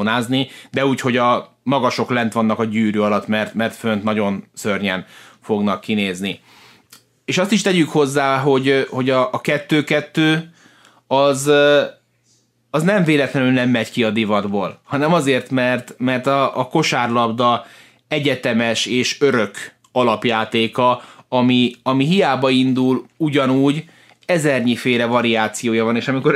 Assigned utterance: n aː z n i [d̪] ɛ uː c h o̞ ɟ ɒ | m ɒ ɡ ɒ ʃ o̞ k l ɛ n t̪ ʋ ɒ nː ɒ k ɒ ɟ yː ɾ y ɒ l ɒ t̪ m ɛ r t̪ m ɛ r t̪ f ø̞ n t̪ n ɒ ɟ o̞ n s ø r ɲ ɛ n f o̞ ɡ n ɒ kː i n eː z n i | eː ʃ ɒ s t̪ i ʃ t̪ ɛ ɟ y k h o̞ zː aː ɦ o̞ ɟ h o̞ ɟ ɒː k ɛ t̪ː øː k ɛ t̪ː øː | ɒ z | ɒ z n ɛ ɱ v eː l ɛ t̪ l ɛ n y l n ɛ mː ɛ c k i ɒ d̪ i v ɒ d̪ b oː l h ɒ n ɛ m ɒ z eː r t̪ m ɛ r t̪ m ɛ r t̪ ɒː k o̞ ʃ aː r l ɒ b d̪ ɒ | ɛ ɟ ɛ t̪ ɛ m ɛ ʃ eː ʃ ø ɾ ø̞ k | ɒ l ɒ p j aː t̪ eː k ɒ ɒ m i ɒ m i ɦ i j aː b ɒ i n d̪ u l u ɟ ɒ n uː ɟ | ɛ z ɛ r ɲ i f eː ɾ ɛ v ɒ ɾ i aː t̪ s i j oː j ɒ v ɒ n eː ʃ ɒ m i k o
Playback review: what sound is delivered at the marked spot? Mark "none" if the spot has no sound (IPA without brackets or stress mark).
d̪